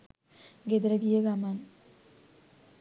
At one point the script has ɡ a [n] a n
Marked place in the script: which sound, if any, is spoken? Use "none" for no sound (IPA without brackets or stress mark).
m